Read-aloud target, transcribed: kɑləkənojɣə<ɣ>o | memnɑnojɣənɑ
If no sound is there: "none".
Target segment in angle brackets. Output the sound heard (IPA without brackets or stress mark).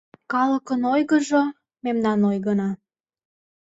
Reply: ʒ